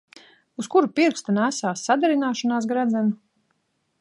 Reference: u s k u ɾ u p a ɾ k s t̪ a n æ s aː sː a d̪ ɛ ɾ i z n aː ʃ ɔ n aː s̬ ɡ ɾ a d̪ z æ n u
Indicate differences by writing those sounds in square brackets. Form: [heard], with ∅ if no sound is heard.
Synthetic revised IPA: u s k u ɾ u p [i] ɾ k s t̪ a n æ s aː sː a d̪ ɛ ɾ i [∅] n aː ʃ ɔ n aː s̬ ɡ ɾ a d̪ z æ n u